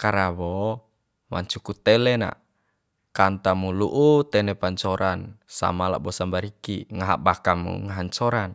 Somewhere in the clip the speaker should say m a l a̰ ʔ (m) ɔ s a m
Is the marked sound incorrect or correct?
incorrect